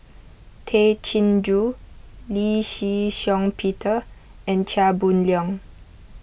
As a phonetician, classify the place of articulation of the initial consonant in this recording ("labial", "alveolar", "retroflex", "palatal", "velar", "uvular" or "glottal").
alveolar